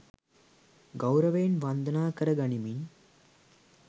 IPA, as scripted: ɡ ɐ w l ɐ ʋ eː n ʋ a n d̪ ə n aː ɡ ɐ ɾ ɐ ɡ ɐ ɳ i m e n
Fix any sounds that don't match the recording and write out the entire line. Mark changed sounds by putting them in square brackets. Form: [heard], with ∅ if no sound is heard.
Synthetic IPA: ɡ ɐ w [ɾ] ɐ ʋ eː n ʋ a n d̪ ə n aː [k] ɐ ɾ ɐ ɡ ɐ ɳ i m [i] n